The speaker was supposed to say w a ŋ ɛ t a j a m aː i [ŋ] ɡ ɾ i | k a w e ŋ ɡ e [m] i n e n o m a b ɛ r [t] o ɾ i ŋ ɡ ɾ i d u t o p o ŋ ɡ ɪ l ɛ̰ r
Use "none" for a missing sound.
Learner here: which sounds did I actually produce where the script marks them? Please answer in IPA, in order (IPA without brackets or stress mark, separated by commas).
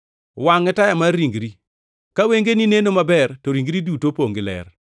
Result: ŋ, n, t